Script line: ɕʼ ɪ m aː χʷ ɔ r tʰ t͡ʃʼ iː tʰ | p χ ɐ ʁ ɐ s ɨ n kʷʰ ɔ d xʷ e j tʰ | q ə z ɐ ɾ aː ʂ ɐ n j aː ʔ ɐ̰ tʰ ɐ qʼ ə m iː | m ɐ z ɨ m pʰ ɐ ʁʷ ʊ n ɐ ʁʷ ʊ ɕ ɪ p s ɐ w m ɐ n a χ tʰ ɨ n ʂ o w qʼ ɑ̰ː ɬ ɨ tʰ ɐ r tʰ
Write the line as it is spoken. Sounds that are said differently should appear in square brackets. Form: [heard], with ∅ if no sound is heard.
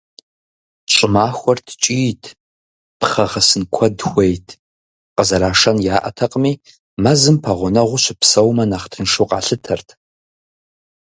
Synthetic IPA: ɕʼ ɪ m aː [xʷ] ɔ r tʰ t͡ʃʼ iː tʰ | p χ ɐ ʁ ɐ s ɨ n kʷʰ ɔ d xʷ e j tʰ | q ə z ɐ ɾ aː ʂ ɐ n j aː ʔ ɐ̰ tʰ ɐ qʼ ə m iː | m ɐ z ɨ m pʰ ɐ ʁʷ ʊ n ɐ ʁʷ ʊ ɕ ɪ p s ɐ w m ɐ n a χ tʰ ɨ n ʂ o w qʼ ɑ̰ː ɬ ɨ tʰ ɐ r tʰ